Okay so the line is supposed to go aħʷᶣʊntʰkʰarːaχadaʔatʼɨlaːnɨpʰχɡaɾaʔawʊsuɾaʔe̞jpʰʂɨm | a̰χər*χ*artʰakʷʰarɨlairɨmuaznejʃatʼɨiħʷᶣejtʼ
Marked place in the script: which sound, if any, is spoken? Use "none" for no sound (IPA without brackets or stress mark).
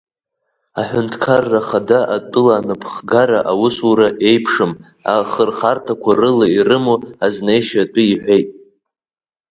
χ